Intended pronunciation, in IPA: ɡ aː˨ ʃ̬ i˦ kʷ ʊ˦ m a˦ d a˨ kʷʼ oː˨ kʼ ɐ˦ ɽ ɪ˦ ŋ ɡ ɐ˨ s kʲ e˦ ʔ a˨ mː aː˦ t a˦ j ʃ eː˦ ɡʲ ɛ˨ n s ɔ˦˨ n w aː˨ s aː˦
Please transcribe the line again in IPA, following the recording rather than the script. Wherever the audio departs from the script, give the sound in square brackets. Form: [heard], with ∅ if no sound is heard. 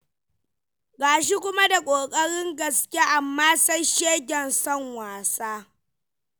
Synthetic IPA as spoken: ɡ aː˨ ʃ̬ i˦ kʷ ʊ˦ m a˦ d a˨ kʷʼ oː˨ kʼ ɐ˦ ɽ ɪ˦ ŋ ɡ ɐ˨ s kʲ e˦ ʔ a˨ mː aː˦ [s] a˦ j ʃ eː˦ ɡʲ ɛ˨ n s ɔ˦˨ [ŋ] w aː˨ s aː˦

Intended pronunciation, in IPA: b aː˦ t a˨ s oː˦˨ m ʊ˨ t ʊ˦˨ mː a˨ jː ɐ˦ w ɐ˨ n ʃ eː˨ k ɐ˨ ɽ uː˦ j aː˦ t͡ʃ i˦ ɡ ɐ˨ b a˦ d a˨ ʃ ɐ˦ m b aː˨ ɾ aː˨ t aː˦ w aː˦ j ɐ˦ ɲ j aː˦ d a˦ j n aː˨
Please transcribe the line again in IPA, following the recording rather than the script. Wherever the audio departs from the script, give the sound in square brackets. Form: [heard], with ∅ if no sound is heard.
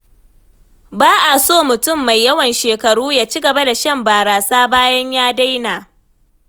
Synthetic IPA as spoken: b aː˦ [ʔ] a˨ s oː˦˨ m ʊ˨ t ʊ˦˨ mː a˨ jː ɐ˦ w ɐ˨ n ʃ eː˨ k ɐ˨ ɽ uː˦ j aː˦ t͡ʃ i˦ ɡ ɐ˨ b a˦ d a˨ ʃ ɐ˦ m b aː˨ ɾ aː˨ [s] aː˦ [b] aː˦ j ɐ˦ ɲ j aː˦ d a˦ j n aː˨

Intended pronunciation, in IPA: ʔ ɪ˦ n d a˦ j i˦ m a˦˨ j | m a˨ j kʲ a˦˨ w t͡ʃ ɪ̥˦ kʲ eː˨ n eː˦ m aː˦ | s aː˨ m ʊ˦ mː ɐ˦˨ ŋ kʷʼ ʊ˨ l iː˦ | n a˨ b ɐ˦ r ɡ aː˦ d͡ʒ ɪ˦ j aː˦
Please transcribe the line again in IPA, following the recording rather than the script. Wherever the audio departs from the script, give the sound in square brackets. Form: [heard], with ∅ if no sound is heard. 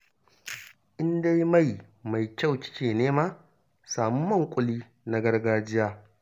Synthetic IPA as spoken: ʔ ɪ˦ n d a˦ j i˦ m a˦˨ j | m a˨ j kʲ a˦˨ w t͡ʃ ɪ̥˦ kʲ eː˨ n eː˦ m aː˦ | s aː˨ m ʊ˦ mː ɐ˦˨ ŋ kʷʼ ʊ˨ l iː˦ | n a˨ [ɡ] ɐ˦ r ɡ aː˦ d͡ʒ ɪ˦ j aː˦

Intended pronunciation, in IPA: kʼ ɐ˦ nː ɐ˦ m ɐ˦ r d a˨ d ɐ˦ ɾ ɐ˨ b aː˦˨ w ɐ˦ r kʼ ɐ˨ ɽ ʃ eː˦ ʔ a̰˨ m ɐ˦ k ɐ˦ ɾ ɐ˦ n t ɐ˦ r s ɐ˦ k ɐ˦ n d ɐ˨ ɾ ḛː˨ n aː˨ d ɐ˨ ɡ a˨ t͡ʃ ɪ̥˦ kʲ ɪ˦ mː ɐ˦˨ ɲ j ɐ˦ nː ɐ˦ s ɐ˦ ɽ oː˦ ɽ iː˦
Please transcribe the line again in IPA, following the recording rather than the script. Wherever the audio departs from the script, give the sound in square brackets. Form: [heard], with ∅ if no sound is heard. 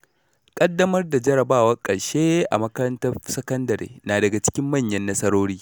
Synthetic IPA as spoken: kʼ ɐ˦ [dː] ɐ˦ m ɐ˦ r d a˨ [d͡ʒ] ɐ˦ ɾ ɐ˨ b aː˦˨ w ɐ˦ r kʼ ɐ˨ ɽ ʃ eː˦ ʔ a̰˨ m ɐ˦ k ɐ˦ ɾ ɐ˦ n t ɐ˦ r s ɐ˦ k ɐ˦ n d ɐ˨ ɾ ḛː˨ n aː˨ d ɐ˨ ɡ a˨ t͡ʃ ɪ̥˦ kʲ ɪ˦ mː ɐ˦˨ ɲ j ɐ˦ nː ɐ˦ s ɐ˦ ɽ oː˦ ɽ iː˦

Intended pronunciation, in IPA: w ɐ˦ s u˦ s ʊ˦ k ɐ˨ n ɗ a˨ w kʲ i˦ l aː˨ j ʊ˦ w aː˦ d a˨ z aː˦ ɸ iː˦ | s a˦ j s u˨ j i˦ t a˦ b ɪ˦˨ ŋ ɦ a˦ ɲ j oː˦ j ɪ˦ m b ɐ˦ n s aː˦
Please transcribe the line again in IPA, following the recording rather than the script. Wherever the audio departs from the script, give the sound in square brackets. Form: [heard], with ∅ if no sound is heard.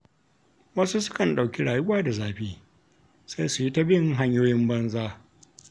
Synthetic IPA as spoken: w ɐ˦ s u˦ s ʊ˦ k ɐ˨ n ɗ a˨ w kʲ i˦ [ɽ] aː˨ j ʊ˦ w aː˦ d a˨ z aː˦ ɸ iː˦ | s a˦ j s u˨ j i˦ t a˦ b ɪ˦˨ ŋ ɦ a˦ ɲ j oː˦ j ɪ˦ m b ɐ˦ n [z] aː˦

